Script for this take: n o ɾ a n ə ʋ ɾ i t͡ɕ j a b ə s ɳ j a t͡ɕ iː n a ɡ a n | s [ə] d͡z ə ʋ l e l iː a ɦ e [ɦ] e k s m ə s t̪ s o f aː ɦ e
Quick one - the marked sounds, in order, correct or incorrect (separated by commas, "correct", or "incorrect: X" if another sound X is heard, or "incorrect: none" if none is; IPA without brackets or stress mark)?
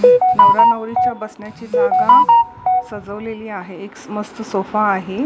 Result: correct, incorrect: none